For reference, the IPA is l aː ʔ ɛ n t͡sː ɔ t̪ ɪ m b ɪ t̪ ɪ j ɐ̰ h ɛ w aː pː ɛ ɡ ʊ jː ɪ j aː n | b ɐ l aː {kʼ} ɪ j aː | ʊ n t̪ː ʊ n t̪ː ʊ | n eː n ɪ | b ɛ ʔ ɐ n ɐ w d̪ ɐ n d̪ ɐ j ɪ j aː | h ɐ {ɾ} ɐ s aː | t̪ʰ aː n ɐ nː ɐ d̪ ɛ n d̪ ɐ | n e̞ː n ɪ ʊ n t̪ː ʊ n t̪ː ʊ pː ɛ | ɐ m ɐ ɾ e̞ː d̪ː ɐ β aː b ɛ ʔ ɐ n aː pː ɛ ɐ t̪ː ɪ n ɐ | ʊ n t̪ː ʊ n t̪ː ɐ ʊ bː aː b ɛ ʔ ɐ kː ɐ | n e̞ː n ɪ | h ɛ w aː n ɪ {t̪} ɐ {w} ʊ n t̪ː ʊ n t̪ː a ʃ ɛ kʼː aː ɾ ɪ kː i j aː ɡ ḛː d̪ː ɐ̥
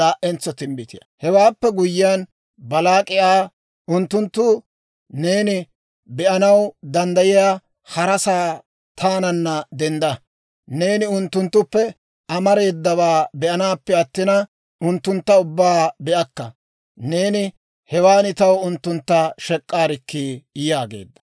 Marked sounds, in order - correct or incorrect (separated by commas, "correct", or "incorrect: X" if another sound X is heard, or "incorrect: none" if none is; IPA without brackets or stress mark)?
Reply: correct, correct, correct, correct